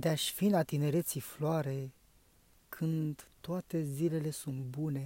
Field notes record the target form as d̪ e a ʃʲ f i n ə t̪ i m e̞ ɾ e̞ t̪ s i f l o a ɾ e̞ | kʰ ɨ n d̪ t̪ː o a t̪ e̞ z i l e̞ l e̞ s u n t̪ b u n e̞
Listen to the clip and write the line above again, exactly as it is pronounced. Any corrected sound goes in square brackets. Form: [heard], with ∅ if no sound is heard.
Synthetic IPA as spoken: d̪ e a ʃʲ f i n [a] t̪ i [n] e̞ ɾ e̞ t̪ s i f l o a ɾ e̞ | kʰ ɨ n d̪ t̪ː o a t̪ e̞ z i l e̞ l e̞ s u n t̪ b u n e̞